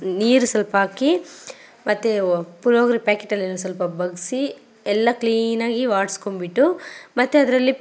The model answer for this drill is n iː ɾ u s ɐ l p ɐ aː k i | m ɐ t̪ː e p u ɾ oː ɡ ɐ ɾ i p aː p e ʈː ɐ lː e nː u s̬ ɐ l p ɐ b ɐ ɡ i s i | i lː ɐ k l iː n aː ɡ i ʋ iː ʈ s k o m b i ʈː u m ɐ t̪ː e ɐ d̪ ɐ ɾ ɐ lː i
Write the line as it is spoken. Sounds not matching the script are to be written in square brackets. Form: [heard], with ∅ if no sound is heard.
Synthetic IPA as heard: n iː ɾ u s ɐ l p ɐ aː k i | m ɐ t̪ː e p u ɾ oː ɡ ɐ ɾ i p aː [k] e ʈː ɐ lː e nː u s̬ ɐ l p ɐ b ɐ ɡ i s i | [ɛ] lː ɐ k l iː n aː ɡ i ʋ [aː] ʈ s k o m b i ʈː u m ɐ t̪ː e ɐ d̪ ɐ ɾ ɐ lː i

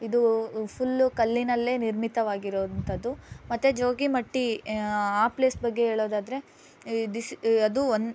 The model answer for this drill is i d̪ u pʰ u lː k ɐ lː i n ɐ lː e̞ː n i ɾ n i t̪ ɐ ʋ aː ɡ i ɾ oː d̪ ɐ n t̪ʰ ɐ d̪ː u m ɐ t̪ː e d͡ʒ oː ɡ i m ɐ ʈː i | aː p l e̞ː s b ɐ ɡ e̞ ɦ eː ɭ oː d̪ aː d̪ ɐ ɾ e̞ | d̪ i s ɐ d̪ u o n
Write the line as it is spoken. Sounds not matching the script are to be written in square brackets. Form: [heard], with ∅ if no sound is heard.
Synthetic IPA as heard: i d̪ u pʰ u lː k ɐ lː i n ɐ lː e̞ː n i ɾ [m] i t̪ ɐ ʋ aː ɡ i ɾ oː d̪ ɐ n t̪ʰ ɐ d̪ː u m ɐ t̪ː e d͡ʒ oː ɡ i m ɐ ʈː i | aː p l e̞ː s b ɐ [ɡː] e̞ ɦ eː ɭ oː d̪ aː d̪ ɐ ɾ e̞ | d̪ i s ɐ d̪ u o n

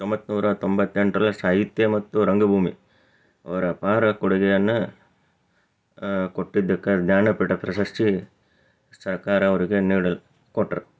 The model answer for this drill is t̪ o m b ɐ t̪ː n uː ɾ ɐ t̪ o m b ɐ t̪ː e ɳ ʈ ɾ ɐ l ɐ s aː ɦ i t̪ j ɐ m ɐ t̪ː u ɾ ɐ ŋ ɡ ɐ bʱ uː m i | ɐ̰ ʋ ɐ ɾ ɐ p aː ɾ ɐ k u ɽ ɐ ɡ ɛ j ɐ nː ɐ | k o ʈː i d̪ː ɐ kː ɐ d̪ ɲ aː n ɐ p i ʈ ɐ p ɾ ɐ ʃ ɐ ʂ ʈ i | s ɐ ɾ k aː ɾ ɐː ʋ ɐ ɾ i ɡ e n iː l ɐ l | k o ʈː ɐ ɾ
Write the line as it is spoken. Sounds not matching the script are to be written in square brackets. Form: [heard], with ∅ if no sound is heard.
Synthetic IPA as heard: t̪ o m b ɐ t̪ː n uː ɾ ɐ t̪ o m b ɐ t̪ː e ɳ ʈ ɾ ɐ l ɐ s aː ɦ i t̪ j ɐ m ɐ t̪ː u ɾ ɐ ŋ ɡ ɐ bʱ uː m i | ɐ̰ ʋ ɐ ɾ ɐ p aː ɾ ɐ k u ɽ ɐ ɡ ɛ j ɐ nː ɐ | k o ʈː i d̪ː ɐ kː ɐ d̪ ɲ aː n ɐ p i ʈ ɐ p ɾ ɐ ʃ ɐ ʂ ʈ i | s ɐ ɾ k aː ɾ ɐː ʋ ɐ ɾ i ɡ e n iː [ɽ] ɐ l | k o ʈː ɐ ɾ

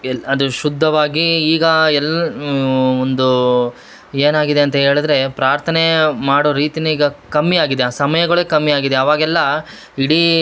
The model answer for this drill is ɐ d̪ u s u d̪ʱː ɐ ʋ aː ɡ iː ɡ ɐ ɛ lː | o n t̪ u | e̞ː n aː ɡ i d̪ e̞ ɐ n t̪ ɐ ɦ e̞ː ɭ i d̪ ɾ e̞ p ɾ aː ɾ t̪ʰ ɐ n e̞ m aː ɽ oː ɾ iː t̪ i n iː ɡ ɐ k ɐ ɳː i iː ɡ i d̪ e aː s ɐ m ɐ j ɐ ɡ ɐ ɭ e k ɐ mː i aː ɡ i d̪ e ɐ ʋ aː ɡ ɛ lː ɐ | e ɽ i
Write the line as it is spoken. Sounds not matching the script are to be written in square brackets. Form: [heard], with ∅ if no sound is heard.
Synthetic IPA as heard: ɐ d̪ u [ʃ] u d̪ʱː ɐ ʋ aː ɡ iː ɡ ɐ ɛ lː | o n [d̪] u | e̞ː n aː ɡ i d̪ e̞ ɐ n t̪ ɐ ɦ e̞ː ɭ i d̪ ɾ e̞ p ɾ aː ɾ t̪ʰ ɐ n e̞ m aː ɽ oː ɾ iː t̪ i n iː ɡ ɐ k ɐ [mː] i [aː] ɡ i d̪ e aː s ɐ m ɐ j ɐ ɡ ɐ ɭ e k ɐ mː i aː ɡ i d̪ e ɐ ʋ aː ɡ ɛ lː ɐ | [i] ɽ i

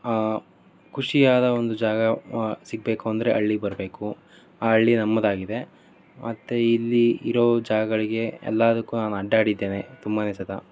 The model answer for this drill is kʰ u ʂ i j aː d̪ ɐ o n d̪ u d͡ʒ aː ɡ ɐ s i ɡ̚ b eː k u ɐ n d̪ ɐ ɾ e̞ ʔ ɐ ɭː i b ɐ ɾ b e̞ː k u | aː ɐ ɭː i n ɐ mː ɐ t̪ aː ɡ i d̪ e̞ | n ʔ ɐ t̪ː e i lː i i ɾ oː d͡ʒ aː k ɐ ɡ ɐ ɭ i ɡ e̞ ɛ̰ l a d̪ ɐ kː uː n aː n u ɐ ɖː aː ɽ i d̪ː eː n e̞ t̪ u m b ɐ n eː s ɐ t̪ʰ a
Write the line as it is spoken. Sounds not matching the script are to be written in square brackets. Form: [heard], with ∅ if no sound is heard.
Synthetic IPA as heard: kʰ u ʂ i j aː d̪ ɐ o n d̪ u d͡ʒ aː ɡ ɐ s i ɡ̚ b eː k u ɐ n d̪ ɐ ɾ e̞ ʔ ɐ ɭː i b ɐ ɾ b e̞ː k u | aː ɐ ɭː i n ɐ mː ɐ [d̪] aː ɡ i d̪ e̞ | [m] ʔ ɐ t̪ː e i lː i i ɾ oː d͡ʒ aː [ɡ] ɐ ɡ ɐ ɭ i ɡ e̞ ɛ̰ [lː] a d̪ ɐ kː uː n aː n u ɐ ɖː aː ɽ i d̪ː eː n e̞ t̪ u m b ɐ n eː s ɐ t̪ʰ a

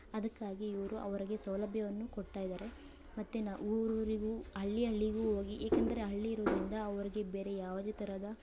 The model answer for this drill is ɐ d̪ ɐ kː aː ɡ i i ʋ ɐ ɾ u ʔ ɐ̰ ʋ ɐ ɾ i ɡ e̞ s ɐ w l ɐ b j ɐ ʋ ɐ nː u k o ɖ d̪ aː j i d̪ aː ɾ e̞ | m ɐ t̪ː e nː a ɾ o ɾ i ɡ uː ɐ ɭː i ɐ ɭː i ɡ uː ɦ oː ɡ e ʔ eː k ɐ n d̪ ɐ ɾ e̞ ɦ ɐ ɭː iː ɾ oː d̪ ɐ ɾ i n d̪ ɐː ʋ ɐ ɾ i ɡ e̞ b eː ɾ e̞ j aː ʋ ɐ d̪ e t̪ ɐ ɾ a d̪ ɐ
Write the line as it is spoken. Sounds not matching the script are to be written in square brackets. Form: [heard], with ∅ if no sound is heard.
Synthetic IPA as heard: ɐ d̪ ɐ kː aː ɡ i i ʋ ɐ ɾ u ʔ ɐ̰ ʋ ɐ ɾ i ɡ e̞ s ɐ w l ɐ b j ɐ ʋ ɐ nː u k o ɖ [t̪] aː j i d̪ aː ɾ e̞ | m ɐ t̪ː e [n] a ɾ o ɾ i ɡ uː ɐ ɭː i ɐ ɭː i ɡ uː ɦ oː ɡ [i] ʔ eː k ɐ n d̪ ɐ ɾ e̞ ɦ ɐ ɭː iː ɾ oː d̪ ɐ ɾ i n d̪ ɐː ʋ ɐ ɾ i ɡ e̞ b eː ɾ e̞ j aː ʋ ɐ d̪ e t̪ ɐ ɾ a d̪ ɐ

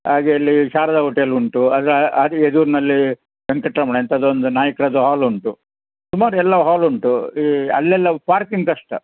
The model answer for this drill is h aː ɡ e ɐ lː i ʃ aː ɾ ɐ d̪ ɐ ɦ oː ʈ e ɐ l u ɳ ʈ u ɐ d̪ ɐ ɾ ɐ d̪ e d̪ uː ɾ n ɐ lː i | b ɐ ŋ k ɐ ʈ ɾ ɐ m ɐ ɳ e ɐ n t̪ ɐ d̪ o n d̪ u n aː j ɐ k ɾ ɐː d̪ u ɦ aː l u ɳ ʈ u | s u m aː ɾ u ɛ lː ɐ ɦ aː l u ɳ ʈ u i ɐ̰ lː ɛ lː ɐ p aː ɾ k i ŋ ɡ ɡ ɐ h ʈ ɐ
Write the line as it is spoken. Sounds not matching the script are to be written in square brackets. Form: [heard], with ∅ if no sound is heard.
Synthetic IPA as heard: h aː ɡ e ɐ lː i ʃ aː ɾ ɐ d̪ ɐ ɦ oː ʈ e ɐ l u ɳ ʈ u ɐ d̪ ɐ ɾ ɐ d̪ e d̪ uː ɾ n ɐ lː i | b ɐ ŋ k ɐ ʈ ɾ ɐ m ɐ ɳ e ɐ n t̪ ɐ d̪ o n d̪ u n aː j ɐ k ɾ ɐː d̪ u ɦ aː l u ɳ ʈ u | s u m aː ɾ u ɛ lː ɐ ɦ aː l u ɳ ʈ u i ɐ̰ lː ɛ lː ɐ p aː ɾ k i ŋ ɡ [k] ɐ [ʂ] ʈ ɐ

